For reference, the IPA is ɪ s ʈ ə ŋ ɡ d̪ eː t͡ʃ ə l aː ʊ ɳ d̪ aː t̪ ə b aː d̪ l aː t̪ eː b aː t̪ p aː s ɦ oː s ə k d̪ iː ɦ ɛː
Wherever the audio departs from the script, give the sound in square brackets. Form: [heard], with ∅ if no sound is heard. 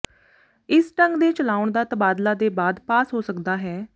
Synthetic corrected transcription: ɪ s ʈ ə ŋ ɡ d̪ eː t͡ʃ ə l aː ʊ ɳ d̪ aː t̪ ə b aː d̪ l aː [d̪] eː b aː [d̪] p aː s ɦ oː s ə k d̪ [aː] ɦ ɛː

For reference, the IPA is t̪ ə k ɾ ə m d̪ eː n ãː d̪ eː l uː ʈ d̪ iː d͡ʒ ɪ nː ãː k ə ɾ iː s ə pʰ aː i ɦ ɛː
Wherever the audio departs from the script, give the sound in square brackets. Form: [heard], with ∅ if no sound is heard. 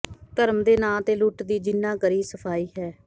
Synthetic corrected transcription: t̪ ə [∅] ɾ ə m d̪ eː n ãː [t̪] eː l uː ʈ d̪ iː d͡ʒ ɪ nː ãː k ə ɾ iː s ə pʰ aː [iː] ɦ ɛː

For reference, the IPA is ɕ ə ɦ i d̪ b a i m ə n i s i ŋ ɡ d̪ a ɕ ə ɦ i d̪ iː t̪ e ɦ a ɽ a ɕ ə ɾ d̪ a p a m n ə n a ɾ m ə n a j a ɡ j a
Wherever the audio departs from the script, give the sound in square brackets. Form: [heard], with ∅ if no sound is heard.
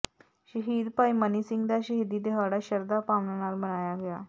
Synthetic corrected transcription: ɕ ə ɦ i d̪ [p] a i m ə n i s i ŋ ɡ d̪ a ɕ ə ɦ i d̪ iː [d̪] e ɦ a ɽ a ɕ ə ɾ d̪ a p a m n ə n a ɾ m ə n a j a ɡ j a

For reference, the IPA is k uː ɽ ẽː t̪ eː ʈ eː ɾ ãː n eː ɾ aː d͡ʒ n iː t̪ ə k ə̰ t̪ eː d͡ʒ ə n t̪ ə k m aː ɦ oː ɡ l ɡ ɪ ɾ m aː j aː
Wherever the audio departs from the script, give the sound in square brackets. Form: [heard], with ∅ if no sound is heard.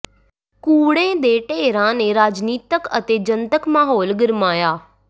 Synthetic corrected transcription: k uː ɽ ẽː [d̪] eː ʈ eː ɾ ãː n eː ɾ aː d͡ʒ n iː t̪ ə k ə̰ t̪ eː d͡ʒ ə n t̪ ə k m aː ɦ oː [∅] l ɡ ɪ ɾ m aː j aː

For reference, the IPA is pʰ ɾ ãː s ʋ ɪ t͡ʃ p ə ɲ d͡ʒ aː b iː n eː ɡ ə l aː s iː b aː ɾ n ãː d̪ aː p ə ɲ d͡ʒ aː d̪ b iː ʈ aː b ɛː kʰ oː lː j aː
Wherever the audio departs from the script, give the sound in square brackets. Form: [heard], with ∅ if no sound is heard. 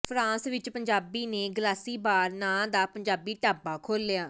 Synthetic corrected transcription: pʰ ɾ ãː s ʋ ɪ t͡ʃ p ə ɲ d͡ʒ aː b iː n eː ɡ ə l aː s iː b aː ɾ n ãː d̪ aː p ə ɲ d͡ʒ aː [∅] b iː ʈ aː b [aː] kʰ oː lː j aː

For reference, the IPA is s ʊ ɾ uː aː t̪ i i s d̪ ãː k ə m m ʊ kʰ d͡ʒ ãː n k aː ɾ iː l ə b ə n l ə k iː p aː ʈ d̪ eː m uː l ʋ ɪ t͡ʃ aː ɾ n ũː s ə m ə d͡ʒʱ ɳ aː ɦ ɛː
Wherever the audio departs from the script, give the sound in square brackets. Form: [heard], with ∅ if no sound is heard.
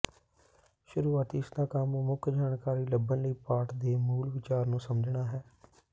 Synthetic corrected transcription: [ʃ] ʊ ɾ uː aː t̪ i [ɪ] s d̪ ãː k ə m m ʊ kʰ d͡ʒ [aː] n k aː ɾ iː l ə b ə n l ə [∅] iː p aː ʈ d̪ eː m uː l ʋ ɪ t͡ʃ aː ɾ n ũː s ə m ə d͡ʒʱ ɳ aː ɦ ɛː

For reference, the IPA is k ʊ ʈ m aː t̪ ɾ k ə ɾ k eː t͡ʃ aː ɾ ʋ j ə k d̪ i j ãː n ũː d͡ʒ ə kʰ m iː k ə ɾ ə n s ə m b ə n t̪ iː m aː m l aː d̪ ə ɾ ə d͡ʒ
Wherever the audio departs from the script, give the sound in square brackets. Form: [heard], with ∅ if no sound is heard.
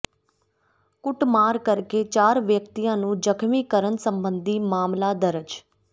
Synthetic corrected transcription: k ʊ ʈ m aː [∅] ɾ k ə ɾ k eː t͡ʃ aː ɾ ʋ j ə k [t̪] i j ãː n ũː d͡ʒ ə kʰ m iː k ə ɾ ə n s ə m b ə n [d̪] iː m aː m l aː d̪ ə ɾ ə d͡ʒ

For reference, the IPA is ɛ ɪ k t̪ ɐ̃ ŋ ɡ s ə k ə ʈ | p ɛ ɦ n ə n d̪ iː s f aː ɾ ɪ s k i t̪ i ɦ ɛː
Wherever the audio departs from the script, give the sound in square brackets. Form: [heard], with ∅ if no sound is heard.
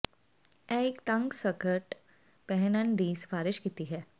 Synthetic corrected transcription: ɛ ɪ k t̪ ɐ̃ ŋ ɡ s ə k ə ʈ | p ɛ ɦ n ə n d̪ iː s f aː ɾ ɪ [ʃ] k i t̪ i ɦ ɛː

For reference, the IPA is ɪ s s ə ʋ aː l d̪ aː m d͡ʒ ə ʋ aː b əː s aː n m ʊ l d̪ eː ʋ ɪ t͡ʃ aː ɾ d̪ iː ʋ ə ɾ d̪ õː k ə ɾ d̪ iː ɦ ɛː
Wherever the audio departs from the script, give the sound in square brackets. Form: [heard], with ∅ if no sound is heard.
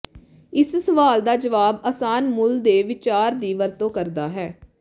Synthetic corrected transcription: ɪ s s ə ʋ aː l d̪ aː [∅] d͡ʒ ə ʋ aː b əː s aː n m ʊ l d̪ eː ʋ ɪ t͡ʃ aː ɾ d̪ iː ʋ ə ɾ [t̪] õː k ə ɾ d̪ [aː] ɦ ɛː

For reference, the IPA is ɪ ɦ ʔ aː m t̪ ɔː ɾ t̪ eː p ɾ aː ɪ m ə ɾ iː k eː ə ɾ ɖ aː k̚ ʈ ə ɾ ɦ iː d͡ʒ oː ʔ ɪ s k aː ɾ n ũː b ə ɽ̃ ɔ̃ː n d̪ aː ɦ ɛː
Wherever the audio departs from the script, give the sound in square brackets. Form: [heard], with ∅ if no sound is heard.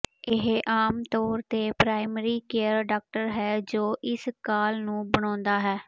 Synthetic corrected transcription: ɪ ɦ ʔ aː m t̪ ɔː ɾ t̪ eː p ɾ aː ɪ m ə ɾ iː k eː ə ɾ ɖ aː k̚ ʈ ə ɾ ɦ [ɛː] d͡ʒ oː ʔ ɪ s k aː [l] n ũː b ə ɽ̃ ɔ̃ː n d̪ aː ɦ ɛː

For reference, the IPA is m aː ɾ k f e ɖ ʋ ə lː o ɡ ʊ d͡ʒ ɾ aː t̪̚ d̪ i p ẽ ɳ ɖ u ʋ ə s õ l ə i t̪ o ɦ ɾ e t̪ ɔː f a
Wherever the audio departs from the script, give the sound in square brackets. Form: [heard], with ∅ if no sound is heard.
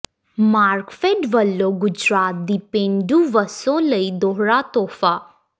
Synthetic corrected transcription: m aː ɾ k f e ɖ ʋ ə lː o ɡ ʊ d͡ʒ ɾ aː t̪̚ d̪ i p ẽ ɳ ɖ u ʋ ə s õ l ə i [d̪] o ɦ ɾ [a] t̪ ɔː f a

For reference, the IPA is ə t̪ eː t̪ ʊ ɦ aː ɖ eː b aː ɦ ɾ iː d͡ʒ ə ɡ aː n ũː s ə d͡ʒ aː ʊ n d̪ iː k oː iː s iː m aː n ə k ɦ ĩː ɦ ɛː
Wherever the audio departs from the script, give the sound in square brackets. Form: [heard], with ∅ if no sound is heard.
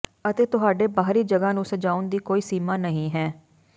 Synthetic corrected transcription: ə t̪ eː t̪ ʊ ɦ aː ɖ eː b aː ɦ ɾ iː d͡ʒ ə ɡ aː n ũː s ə d͡ʒ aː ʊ n d̪ iː k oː iː s iː m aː n ə [∅] ɦ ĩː ɦ ɛː

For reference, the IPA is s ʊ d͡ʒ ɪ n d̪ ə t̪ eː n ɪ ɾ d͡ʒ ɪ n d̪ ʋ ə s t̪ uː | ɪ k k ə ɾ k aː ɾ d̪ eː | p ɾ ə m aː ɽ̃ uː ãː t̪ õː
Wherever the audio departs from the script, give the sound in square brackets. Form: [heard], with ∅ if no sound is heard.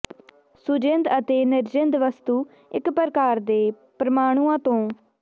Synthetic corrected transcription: s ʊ d͡ʒ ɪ n d̪ ə t̪ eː n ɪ ɾ d͡ʒ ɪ n d̪ ʋ ə s t̪ uː | ɪ k [p] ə ɾ k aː ɾ d̪ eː | p ɾ ə m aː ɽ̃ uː ãː t̪ õː

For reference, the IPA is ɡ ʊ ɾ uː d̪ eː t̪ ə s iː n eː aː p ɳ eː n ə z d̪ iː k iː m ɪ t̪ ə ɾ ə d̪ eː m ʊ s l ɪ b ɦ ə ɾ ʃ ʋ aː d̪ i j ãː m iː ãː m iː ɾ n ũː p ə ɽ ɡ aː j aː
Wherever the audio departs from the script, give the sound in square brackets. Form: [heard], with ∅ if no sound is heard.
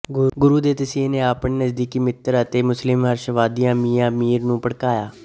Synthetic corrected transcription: ɡ ʊ ɾ uː d̪ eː t̪ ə s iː n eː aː p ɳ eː n ə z d̪ iː k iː m ɪ t̪ ə ɾ ə [t̪] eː m ʊ s l ɪ [m] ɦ ə ɾ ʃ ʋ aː d̪ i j ãː m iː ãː m iː ɾ n ũː p ə ɽ [k] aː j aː

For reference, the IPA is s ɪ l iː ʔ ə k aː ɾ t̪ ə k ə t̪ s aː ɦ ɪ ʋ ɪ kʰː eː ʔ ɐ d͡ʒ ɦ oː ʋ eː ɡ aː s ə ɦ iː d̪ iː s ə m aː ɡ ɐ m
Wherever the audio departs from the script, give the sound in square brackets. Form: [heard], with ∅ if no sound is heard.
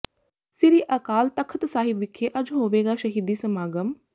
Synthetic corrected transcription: s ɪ [ɾ] iː ʔ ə k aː [l] t̪ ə [kʰ] ə t̪ s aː ɦ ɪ ʋ ɪ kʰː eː ʔ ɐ d͡ʒ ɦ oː ʋ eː ɡ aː [ʃ] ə ɦ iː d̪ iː s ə m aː ɡ [ə] m

